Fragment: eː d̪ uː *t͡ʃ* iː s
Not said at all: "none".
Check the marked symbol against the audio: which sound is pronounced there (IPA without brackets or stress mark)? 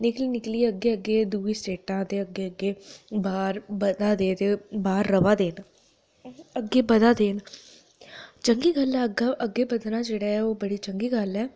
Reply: none